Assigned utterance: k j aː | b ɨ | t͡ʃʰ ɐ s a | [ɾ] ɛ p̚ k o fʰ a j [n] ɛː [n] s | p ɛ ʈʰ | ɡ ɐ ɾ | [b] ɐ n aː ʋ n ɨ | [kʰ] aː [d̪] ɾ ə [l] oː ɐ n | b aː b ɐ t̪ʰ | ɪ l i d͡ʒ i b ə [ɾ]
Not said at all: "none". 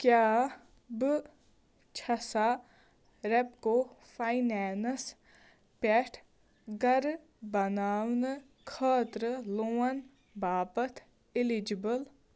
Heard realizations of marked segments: ɾ, n, n, b, kʰ, t̪, l, l

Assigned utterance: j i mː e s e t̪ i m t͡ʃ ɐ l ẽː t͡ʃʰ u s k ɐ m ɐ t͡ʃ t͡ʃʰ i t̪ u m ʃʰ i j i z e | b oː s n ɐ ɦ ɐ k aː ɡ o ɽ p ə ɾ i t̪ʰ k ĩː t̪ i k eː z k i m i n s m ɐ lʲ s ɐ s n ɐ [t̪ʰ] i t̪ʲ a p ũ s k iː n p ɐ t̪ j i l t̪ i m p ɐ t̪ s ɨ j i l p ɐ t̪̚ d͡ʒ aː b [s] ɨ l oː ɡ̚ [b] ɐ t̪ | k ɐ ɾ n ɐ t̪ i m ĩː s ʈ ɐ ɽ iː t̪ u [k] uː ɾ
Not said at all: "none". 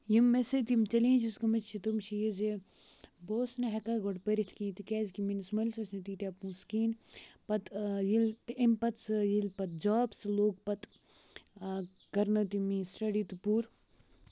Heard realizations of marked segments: t̪, s, p, p

